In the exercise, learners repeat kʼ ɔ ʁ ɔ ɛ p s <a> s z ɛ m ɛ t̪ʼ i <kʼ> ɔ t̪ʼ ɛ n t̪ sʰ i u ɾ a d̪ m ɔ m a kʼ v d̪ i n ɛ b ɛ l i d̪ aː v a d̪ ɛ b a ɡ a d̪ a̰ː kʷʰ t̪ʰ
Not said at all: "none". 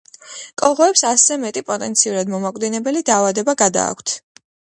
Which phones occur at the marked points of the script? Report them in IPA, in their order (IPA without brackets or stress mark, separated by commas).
a, pʼ